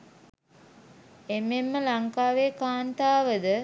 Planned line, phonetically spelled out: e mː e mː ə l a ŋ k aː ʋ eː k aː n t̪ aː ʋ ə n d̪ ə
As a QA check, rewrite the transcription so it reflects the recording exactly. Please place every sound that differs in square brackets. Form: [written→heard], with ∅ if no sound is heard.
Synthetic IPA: e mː e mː ə l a ŋ k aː ʋ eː k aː n t̪ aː ʋ ə [n→∅] d̪ ə